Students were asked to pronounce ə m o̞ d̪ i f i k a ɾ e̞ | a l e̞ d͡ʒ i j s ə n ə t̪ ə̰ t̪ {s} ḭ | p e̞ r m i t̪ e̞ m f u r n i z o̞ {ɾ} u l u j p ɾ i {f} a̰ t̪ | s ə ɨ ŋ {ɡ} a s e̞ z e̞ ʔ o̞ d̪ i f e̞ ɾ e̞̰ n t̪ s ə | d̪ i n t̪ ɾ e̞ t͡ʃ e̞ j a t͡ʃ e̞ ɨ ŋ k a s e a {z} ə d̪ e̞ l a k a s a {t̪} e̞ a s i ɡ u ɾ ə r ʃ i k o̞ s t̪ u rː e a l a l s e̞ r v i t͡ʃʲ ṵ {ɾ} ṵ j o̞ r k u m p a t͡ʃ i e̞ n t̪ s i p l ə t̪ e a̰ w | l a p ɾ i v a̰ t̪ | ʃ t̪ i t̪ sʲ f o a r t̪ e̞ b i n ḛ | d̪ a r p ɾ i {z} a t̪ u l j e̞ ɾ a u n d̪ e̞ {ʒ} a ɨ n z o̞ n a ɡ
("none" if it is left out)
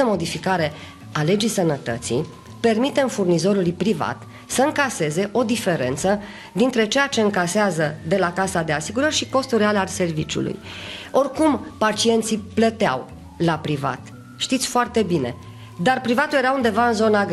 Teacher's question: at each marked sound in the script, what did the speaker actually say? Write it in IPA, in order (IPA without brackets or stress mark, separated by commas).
s, ɾ, v, k, z, d̪, l, v, v